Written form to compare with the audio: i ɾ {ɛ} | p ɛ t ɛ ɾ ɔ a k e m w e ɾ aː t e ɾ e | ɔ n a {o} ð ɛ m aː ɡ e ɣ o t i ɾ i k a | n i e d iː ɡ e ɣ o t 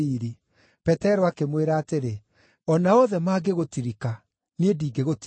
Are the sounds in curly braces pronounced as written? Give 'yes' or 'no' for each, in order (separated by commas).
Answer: no, no